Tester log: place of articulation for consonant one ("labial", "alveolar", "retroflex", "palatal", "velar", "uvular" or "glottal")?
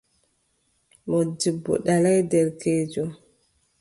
labial